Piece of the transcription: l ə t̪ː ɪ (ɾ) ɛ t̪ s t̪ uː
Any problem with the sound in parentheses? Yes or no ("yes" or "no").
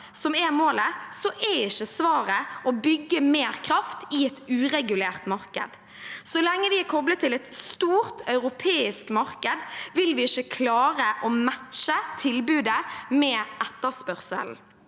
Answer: yes